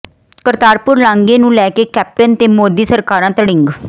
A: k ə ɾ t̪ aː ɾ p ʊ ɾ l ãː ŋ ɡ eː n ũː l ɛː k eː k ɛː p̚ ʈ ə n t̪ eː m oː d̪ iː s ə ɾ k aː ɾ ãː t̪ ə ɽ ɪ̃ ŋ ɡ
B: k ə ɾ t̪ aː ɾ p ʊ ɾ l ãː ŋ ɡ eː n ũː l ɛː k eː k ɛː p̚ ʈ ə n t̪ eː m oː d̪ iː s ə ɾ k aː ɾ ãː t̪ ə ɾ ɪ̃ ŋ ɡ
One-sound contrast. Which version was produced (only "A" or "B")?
A